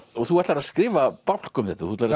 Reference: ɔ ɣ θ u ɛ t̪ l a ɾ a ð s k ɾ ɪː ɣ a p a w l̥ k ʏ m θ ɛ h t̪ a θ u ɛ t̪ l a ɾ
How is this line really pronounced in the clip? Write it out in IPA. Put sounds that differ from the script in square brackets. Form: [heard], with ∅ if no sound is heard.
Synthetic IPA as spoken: ɔ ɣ θ u ɛ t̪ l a ɾ a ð s k ɾ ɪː [v] a p a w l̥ k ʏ m θ ɛ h t̪ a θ u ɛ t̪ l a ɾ